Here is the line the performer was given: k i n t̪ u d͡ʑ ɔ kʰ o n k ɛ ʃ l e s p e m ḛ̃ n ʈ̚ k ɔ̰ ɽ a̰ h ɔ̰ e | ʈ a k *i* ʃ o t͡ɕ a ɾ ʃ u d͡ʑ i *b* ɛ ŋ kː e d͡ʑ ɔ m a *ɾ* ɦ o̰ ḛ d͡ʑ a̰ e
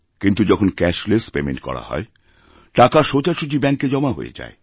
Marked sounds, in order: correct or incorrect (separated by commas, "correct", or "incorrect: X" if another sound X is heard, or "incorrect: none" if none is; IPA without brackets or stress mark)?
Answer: incorrect: a, correct, incorrect: none